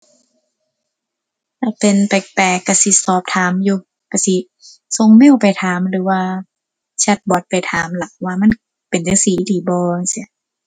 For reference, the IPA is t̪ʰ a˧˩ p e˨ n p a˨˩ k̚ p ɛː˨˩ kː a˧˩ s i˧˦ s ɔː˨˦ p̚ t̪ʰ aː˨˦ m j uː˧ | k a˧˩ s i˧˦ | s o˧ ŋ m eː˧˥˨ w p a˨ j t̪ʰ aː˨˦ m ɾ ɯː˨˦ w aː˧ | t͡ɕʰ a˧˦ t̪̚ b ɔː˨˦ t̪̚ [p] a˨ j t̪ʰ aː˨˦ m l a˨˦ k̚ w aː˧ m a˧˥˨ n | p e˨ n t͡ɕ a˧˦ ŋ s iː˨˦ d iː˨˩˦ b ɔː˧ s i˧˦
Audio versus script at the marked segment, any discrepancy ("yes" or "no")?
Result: no